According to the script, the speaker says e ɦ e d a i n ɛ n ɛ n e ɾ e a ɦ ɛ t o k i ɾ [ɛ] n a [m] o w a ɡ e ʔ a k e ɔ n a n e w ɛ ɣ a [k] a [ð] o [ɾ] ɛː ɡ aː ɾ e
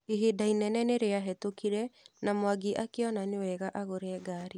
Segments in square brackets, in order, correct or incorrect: correct, correct, incorrect, incorrect, correct

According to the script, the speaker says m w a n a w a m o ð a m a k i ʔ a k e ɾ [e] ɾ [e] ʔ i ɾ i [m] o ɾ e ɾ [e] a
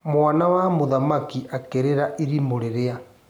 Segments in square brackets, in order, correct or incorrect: correct, incorrect, correct, correct

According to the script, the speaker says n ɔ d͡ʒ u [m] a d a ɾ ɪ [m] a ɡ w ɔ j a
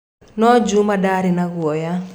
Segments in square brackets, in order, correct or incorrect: correct, incorrect

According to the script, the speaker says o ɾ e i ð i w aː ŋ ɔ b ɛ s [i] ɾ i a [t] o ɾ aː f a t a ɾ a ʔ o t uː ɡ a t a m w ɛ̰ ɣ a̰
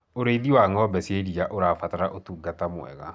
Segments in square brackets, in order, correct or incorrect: incorrect, incorrect

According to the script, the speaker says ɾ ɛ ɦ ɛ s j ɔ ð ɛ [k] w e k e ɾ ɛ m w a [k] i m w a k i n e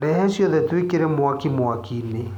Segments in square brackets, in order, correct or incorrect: incorrect, correct

